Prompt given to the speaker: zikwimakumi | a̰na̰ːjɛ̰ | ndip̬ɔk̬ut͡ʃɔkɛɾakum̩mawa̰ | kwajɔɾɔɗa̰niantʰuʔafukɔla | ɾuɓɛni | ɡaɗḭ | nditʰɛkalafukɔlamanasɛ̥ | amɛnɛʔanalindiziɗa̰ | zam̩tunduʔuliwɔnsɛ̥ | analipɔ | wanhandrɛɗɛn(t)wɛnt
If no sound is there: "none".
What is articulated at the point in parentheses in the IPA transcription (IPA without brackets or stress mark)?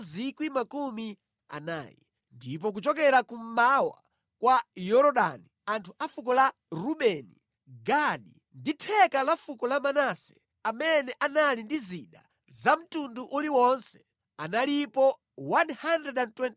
t